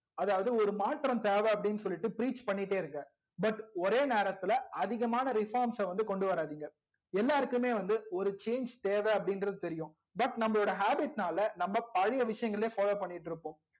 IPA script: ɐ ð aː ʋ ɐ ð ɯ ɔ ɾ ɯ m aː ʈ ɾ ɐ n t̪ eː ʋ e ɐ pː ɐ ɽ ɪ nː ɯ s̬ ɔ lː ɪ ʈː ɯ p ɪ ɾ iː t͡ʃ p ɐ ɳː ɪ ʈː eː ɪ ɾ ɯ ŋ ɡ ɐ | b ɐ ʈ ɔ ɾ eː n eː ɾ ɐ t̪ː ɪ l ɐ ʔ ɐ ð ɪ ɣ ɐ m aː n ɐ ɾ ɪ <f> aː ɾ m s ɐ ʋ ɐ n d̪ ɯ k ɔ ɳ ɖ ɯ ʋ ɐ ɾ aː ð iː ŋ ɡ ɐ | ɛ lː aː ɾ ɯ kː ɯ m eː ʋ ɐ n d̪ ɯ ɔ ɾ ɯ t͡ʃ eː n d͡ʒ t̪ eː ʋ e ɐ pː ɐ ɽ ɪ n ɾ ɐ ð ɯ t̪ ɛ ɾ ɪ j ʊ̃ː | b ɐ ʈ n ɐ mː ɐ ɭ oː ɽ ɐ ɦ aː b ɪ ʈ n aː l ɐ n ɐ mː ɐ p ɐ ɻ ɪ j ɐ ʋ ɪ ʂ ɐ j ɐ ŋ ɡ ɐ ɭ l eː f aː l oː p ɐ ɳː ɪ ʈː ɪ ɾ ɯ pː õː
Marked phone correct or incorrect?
correct